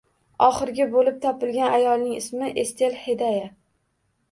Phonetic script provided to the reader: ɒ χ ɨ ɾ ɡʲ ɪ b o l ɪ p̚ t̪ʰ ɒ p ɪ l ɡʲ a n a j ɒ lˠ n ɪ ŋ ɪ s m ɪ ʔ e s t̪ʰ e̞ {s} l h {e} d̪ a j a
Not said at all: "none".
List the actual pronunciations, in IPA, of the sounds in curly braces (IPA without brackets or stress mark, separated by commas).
none, e